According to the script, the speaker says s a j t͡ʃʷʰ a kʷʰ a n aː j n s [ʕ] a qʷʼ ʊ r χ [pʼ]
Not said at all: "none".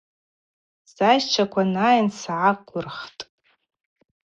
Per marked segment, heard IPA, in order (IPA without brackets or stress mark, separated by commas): ʕ, tʼ